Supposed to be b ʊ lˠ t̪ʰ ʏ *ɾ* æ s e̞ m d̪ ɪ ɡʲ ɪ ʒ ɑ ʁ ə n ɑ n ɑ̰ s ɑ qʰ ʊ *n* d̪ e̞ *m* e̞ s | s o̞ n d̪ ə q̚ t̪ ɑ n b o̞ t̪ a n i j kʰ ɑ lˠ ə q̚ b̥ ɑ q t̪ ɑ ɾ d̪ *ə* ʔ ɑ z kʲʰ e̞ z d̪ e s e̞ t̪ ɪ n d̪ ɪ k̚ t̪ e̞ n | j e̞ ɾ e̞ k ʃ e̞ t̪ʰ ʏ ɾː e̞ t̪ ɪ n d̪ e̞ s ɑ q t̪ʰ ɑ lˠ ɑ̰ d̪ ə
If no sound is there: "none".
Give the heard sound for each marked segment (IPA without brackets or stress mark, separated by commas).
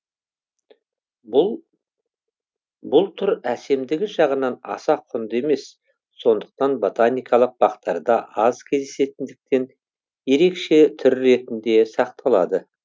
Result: ɾ, n, m, ɑ